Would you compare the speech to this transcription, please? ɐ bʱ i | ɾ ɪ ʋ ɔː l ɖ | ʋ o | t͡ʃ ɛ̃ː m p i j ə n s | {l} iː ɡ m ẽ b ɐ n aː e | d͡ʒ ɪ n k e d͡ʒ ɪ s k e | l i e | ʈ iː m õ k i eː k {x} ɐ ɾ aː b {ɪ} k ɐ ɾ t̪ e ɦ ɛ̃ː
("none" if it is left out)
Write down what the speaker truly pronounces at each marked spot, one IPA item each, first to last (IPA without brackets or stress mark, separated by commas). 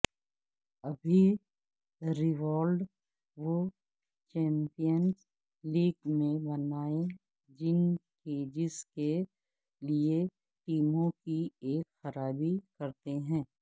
l, x, i